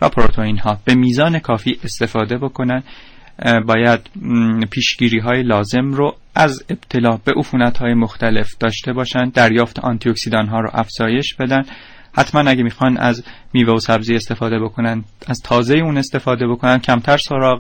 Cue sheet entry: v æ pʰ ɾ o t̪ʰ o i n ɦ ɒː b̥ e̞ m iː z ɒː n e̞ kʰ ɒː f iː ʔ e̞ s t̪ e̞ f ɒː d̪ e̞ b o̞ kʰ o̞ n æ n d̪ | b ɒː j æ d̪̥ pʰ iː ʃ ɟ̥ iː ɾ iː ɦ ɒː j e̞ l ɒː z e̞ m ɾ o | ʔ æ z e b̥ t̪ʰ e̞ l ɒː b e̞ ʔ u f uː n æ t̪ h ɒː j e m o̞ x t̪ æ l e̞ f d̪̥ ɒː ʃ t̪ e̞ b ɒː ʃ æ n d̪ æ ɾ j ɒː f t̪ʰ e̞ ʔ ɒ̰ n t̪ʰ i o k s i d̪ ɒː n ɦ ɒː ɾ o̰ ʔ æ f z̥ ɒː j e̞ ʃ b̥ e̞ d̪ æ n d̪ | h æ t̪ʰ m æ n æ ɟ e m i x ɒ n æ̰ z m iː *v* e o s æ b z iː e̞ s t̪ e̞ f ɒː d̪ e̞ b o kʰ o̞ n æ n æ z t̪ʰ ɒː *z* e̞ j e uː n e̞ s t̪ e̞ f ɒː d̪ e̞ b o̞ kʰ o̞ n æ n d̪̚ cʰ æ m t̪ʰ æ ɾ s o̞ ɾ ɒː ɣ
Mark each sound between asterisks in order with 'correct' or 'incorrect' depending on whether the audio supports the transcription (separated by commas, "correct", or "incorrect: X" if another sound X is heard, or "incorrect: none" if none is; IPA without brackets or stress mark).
correct, correct